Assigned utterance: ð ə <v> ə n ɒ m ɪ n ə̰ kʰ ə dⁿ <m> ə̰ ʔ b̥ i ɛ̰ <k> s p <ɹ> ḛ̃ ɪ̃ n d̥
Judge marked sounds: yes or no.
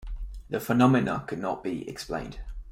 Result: no, no, yes, no

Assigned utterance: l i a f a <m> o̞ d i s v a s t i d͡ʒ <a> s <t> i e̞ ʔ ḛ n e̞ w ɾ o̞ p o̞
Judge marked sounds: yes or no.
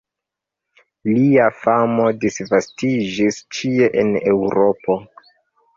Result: yes, no, no

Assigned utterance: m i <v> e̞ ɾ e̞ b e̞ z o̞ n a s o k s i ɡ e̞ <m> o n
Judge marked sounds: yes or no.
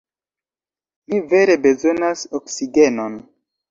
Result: yes, no

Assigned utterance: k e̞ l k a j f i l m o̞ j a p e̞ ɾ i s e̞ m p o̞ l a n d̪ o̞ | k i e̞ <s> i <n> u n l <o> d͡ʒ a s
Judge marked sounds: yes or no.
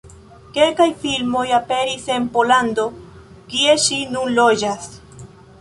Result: no, yes, yes

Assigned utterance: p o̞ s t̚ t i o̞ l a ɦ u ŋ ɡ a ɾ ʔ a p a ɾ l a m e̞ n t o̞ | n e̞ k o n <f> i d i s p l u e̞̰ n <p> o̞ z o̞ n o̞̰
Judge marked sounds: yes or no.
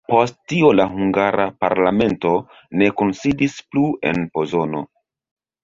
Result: no, yes

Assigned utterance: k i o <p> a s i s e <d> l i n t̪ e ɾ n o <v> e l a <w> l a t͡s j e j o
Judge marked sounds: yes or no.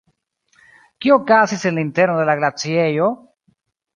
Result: no, no, no, no

